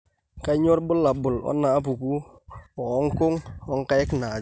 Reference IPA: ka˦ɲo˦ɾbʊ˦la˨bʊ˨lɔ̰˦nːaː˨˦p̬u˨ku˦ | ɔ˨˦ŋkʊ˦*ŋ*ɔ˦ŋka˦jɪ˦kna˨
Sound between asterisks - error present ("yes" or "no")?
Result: no